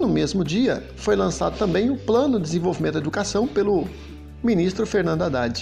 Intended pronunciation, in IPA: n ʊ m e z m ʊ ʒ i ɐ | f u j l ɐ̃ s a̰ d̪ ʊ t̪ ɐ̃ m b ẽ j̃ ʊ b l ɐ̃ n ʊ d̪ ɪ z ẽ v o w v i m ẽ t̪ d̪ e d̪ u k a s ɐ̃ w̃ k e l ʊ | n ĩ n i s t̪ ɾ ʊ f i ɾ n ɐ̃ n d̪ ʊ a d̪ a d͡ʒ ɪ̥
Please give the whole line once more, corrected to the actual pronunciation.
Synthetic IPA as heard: n ʊ m e z m ʊ d͡ʒ i ɐ | f o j l ɐ̃ s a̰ d̪ ʊ t̪ ɐ̃ m b ẽ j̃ ʊ p l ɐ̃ n ʊ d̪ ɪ z ẽ v o w v i m ẽ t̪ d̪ e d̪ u k a s ɐ̃ w̃ p e l ʊ | m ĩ n i s t̪ ɾ ʊ f e ɾ n ɐ̃ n d̪ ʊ a d̪ a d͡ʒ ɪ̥